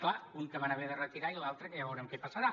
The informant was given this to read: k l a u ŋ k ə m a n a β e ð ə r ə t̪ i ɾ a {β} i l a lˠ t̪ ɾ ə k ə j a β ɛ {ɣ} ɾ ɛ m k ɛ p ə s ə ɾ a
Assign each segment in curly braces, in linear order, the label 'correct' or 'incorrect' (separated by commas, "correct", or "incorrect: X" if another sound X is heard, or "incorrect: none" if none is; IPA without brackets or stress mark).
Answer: incorrect: none, incorrect: w